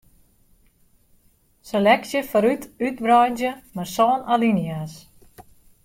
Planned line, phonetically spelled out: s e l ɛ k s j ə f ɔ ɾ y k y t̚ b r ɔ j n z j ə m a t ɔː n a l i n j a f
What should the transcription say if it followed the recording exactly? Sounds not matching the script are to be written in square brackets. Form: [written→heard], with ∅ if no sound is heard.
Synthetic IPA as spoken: s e l ɛ k s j ə f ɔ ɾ y [k→t] y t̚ b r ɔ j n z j ə m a [t→s] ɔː n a l i n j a [f→s]